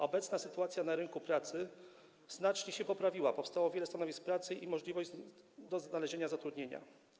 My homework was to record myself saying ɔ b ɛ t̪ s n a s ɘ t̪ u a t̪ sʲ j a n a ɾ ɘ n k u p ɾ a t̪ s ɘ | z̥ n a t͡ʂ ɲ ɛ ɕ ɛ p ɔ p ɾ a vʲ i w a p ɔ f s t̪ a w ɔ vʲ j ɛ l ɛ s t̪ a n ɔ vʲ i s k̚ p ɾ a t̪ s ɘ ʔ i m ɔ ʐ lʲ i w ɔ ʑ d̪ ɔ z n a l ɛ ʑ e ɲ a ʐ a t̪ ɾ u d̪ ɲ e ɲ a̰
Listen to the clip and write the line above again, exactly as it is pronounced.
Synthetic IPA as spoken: ɔ b ɛ t̪ s n a s ɘ t̪ u a t̪ sʲ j a n a ɾ ɘ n k u p ɾ a t̪ s ɘ | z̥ n a t͡ʂ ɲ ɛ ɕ ɛ p ɔ p ɾ a vʲ i w a p ɔ f s t̪ a w ɔ vʲ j ɛ l ɛ s t̪ a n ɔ vʲ i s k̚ p ɾ a t̪ s ɘ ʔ i m ɔ ʐ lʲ i v ɔ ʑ d̪ ɔ z n a l ɛ ʑ e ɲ a z a t̪ ɾ u d̪ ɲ e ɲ a̰

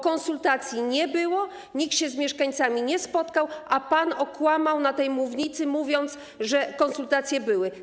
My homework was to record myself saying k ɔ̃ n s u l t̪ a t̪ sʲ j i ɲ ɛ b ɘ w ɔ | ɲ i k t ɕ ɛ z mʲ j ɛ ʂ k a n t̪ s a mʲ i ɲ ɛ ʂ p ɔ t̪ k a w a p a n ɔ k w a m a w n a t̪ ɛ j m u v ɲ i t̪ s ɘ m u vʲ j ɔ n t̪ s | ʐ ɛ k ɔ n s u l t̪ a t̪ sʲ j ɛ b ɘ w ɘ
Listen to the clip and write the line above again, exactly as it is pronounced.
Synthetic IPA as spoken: k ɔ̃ n s u l t̪ a t̪ sʲ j i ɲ ɛ b ɘ w ɔ | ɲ i k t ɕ ɛ z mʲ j ɛ ʂ k a ɲ t̪ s a mʲ i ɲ ɛ s p ɔ t̪ k a w a p a n ɔ k w a m a w n a t̪ ɛ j m u v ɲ i t̪ s ɘ m u vʲ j ɔ n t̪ s | ʐ ɛ k ɔ n s u l t̪ a t̪ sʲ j ɛ b ɘ w ɘ

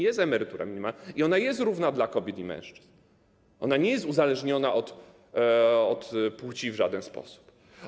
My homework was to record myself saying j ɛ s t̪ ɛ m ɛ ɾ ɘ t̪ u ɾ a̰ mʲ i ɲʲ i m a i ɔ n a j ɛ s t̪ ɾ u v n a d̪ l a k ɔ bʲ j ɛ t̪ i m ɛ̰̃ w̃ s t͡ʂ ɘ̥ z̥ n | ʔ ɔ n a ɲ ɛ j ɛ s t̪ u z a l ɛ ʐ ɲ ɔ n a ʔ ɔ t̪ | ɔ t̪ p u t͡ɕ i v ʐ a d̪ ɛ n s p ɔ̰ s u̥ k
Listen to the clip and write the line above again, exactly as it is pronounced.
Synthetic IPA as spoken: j ɛ s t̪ ɛ m ɛ ɾ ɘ t̪ u ɾ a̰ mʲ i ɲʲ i m a i ɔ n a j ɛ s t̪ ɾ u v n a d̪ l a k ɔ bʲ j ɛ t̪ i m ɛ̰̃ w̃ ʂ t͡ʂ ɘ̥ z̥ n | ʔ ɔ n a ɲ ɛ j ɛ s t̪ u z a l ɛ ʐ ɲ ɔ n a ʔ ɔ t̪ | ɔ t̪ p u t͡ɕ i v ʐ a d̪ ɛ n s p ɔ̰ s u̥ p

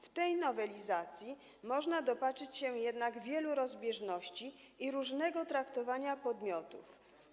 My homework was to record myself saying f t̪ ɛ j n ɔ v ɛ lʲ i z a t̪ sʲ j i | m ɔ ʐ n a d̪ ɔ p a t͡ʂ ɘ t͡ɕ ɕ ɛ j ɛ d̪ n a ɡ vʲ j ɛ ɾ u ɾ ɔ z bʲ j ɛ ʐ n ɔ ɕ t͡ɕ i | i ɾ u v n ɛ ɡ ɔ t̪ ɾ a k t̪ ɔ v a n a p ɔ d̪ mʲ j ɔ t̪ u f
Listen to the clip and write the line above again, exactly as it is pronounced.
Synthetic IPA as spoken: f t̪ ɛ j n ɔ v ɛ lʲ i z a t̪ sʲ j i | m ɔ ʐ n a d̪ ɔ p a t͡ʂ ɘ t͡ɕ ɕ ɛ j ɛ d̪ n a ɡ vʲ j ɛ l u ɾ ɔ z bʲ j ɛ ʐ n ɔ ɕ t͡ɕ i | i ɾ u ʐ n ɛ ɡ ɔ t̪ ɾ a k t̪ ɔ v a ɲ a p ɔ d̪ mʲ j ɔ t̪ u f

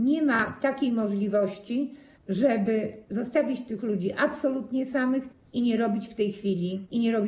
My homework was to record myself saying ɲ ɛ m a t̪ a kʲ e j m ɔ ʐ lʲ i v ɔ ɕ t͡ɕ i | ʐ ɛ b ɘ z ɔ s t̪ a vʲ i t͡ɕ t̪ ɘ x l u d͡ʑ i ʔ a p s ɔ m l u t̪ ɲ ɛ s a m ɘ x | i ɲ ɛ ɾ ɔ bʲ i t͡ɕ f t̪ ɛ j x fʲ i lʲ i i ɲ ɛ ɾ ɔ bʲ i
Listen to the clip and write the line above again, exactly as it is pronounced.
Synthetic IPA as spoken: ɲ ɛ m a t̪ a kʲ e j m ɔ ʐ lʲ i v ɔ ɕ t͡ɕ i | ʐ ɛ b ɘ z ɔ s t̪ a vʲ i t͡ɕ t̪ ɘ x l u d͡ʑ i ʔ a p s ɔ l u t̪ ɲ ɛ s a m ɘ x | i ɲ ɛ ɾ ɔ bʲ i t͡ɕ f t̪ ɛ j x fʲ i lʲ i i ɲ ɛ ɾ ɔ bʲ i

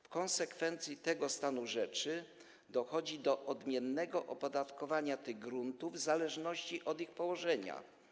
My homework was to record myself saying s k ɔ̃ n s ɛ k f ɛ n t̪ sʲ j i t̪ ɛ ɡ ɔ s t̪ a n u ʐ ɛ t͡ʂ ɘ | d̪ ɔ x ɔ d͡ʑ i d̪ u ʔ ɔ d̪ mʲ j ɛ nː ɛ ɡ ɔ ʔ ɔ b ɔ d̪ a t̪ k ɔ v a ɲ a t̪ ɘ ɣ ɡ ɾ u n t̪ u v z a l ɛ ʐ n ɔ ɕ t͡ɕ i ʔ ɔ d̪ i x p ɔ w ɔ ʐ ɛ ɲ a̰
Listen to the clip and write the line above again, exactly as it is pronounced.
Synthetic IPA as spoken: f k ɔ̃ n s ɛ k f ɛ n t̪ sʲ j i t̪ ɛ ɡ ɔ s t̪ a n u ʐ ɛ t͡ʂ ɘ | d̪ ɔ x ɔ d͡ʑ i d̪ ɔ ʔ ɔ d̪ mʲ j ɛ nː ɛ ɡ ɔ ʔ ɔ p ɔ d̪ a t̪ k ɔ v a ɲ a t̪ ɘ ɣ ɡ ɾ u n t̪ u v z a l ɛ ʐ n ɔ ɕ t͡ɕ i ʔ ɔ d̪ i x p ɔ w ɔ ʐ ɛ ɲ a̰

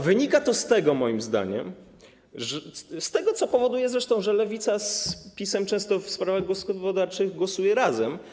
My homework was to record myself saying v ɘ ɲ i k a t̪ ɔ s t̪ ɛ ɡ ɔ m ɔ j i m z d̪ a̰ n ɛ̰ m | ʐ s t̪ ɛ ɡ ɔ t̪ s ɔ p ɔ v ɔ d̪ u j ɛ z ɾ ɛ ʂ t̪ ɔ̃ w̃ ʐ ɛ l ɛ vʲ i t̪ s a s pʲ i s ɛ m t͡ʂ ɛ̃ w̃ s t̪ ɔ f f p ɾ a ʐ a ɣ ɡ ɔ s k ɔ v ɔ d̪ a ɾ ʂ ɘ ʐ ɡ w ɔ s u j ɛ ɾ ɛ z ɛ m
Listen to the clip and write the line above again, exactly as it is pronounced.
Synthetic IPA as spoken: v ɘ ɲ i k a t̪ ɔ s t̪ ɛ ɡ ɔ m ɔ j i m z d̪ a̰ ɲ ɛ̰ m | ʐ s t̪ ɛ ɡ ɔ t̪ s ɔ p ɔ v ɔ d̪ u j ɛ z ɾ ɛ ʂ t̪ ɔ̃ w̃ ʐ ɛ l ɛ vʲ i t̪ s a s pʲ i s ɛ m t͡ʂ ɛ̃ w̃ s t̪ ɔ f s p ɾ a v a ɣ ɡ ɔ s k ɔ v ɔ d̪ a ɾ t͡ʂ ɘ ɣ ɡ w ɔ s u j ɛ ɾ a z ɛ m

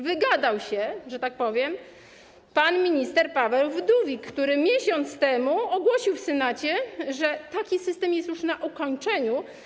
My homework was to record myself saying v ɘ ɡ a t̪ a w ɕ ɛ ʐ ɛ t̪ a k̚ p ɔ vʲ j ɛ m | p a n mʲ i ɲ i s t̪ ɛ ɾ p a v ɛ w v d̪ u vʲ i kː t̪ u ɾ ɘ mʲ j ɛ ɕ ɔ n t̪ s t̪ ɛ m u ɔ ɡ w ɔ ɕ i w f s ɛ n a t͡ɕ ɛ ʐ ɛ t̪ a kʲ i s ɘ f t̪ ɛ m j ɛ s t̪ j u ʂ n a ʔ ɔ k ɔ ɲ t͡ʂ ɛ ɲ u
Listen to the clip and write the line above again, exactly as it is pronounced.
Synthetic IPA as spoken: v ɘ ɡ a d̪ a w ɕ ɛ ʐ ɛ t̪ a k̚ p ɔ vʲ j ɛ m | p a n mʲ i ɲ i s t̪ ɛ ɾ p a v ɛ w v d̪ u vʲ i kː t̪ u ɾ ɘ mʲ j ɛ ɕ ɔ n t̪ s t̪ ɛ m u ɔ ɡ w ɔ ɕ i w f s ɛ n a t͡ɕ ɛ ʐ ɛ t̪ a kʲ i s ɘ s t̪ ɛ m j ɛ s t̪ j u ʂ n a ʔ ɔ k ɔ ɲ t͡ʂ ɛ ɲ u

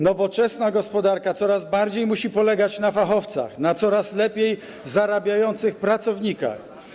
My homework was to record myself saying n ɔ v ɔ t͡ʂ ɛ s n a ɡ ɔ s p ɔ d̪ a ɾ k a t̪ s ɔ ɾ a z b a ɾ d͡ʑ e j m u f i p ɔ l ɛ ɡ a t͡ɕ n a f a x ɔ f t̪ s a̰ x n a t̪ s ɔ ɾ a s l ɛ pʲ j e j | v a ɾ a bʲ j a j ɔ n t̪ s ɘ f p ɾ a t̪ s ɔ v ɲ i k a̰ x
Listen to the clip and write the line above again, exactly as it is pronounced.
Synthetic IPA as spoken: n ɔ v ɔ t͡ʂ ɛ s n a ɡ ɔ s p ɔ d̪ a ɾ k a t̪ s ɔ ɾ a z b a ɾ d͡ʑ e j m u ɕ i p ɔ l ɛ ɡ a t͡ɕ n a f a x ɔ f t̪ s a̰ x n a t̪ s ɔ ɾ a s l ɛ pʲ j e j | z a ɾ a bʲ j a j ɔ n t̪ s ɘ x p ɾ a t̪ s ɔ v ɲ i k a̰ x

